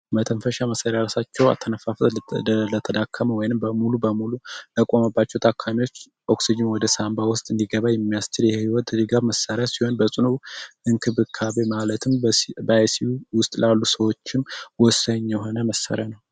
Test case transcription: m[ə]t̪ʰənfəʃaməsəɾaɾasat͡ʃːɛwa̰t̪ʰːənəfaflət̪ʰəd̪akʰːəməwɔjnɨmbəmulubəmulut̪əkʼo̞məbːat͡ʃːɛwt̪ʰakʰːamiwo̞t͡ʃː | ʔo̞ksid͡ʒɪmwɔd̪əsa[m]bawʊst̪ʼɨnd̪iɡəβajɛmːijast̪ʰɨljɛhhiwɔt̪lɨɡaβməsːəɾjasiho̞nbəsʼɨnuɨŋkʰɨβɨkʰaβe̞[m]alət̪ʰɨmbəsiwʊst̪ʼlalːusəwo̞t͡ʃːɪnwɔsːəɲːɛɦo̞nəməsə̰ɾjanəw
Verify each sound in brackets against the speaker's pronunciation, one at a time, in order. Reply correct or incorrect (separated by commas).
correct, correct, correct